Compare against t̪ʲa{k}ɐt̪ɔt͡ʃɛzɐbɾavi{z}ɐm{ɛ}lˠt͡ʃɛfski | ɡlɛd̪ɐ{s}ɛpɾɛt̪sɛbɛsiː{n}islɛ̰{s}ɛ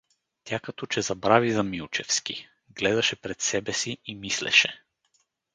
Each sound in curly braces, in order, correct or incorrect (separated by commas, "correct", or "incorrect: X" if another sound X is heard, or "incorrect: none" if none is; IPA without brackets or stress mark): correct, correct, incorrect: i, incorrect: ʃ, incorrect: m, incorrect: ʃ